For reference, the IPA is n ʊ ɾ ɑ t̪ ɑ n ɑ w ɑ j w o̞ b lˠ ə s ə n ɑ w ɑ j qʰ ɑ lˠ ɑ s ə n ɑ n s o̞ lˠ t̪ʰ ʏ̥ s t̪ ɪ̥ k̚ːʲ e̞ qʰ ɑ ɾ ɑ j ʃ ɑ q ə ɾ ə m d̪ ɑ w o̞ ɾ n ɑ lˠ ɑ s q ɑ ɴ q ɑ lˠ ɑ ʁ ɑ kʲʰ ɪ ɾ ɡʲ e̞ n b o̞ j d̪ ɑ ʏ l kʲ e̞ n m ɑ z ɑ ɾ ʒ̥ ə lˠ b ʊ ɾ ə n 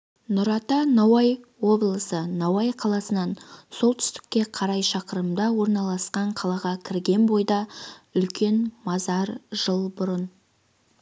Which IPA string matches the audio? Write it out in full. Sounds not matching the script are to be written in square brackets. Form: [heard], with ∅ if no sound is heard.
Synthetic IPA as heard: n ʊ ɾ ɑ t̪ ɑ n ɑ w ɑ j w o̞ b lˠ ə s ə n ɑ w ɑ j qʰ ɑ lˠ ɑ s ə n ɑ n s o̞ lˠ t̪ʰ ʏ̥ s t̪ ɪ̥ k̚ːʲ e̞ qʰ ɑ ɾ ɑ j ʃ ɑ q ə ɾ ə m d̪ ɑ w o̞ ɾ n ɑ lˠ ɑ s q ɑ ɴ [qʰ] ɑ lˠ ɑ ʁ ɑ kʲʰ ɪ ɾ ɡʲ e̞ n b o̞ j d̪ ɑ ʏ l kʲ e̞ n m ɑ z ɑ ɾ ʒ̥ ə lˠ b ʊ ɾ ə n